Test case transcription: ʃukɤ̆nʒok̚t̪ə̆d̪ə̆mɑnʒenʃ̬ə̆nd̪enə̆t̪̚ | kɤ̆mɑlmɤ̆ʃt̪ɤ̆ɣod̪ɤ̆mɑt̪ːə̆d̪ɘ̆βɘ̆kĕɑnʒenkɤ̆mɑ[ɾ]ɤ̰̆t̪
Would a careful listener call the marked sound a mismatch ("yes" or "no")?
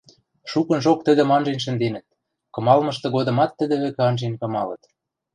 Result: yes